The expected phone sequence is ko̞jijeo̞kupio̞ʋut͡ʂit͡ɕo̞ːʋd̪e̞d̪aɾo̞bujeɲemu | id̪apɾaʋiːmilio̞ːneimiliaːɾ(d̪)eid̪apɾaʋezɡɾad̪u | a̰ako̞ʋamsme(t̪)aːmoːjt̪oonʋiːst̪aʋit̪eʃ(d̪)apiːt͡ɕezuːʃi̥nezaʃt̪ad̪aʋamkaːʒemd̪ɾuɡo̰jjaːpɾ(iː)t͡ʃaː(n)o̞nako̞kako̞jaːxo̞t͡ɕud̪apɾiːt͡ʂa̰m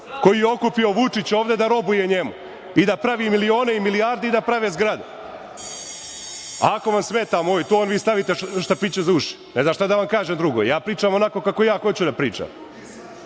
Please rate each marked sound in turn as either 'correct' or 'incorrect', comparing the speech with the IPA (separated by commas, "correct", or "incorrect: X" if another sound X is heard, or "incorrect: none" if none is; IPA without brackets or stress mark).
correct, correct, incorrect: t̪, correct, incorrect: m